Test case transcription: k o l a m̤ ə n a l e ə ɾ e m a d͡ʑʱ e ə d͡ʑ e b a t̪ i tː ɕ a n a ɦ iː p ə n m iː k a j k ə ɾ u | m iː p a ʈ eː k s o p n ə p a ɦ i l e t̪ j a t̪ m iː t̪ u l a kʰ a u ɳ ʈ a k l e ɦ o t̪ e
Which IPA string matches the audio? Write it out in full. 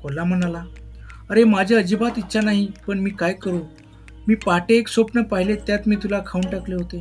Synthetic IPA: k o l a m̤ ə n a l a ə ɾ e m a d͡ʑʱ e ə d͡ʑ i b a t̪ i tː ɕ a n a ɦ i p ə ɳ m iː k a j k ə ɾ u | m iː p a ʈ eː k s o p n ə p a ɦ i l e t̪ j a t̪ m iː t̪ u l a kʰ a u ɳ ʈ a k l e ɦ o t̪ e